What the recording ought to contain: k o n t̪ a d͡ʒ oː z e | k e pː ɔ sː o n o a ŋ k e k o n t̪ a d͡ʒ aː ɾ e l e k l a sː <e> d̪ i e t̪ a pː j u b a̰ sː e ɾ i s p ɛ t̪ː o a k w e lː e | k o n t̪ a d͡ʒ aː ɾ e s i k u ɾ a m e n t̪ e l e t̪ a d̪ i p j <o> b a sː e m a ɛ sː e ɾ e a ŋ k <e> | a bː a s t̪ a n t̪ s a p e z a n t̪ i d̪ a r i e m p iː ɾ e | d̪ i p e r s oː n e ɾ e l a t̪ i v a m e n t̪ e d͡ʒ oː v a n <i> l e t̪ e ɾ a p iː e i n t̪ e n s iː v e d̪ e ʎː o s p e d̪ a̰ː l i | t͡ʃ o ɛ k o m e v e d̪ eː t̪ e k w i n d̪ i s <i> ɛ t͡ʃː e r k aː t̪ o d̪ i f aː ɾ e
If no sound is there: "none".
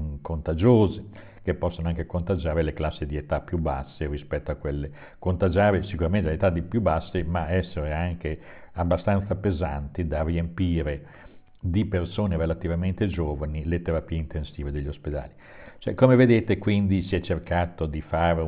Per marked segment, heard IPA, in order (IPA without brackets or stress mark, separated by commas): i, u, e, i, i